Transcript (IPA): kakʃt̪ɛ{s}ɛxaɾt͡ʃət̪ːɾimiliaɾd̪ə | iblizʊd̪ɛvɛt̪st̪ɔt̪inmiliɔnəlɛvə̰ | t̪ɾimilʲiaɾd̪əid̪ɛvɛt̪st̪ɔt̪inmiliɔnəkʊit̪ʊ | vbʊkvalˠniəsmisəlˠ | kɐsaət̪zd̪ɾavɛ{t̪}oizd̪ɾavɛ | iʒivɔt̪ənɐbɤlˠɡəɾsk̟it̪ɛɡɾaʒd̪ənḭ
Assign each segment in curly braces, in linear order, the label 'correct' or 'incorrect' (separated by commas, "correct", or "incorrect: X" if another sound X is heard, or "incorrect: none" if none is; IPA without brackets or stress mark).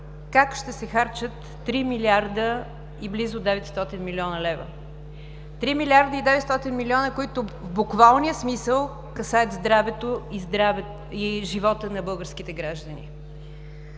correct, correct